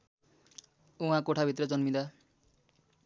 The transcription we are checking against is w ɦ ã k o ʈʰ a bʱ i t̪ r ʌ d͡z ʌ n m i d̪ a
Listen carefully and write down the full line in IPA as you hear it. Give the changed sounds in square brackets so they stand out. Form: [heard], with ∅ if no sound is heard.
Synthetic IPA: [u] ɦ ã k o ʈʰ a bʱ i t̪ r ʌ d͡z ʌ n m i d̪ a